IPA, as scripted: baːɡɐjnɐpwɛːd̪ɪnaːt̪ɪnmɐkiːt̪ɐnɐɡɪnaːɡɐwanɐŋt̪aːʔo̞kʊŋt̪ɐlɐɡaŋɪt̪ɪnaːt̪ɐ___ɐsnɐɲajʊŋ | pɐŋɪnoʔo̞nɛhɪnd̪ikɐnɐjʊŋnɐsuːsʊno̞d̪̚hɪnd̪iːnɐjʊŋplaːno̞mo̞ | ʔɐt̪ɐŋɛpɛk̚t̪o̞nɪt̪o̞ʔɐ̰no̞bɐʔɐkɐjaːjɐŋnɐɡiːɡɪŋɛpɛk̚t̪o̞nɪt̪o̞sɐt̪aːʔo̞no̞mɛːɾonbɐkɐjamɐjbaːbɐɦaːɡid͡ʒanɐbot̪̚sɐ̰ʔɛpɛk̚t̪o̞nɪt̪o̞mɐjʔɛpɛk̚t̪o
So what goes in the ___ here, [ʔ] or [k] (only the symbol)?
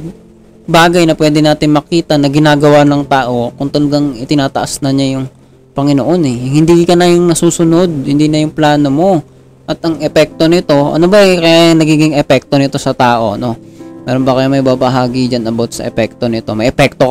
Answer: ʔ